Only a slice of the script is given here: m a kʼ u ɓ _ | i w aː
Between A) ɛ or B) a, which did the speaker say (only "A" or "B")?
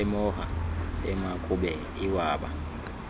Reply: A